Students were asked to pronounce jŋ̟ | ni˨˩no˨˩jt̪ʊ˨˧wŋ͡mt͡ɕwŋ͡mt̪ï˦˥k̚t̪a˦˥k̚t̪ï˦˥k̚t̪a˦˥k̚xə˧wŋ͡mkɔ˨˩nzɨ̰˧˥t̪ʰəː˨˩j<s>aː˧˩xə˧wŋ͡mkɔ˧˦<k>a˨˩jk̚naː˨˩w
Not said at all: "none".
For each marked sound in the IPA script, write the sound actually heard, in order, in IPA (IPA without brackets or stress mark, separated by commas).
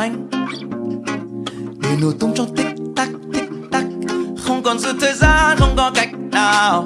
z, k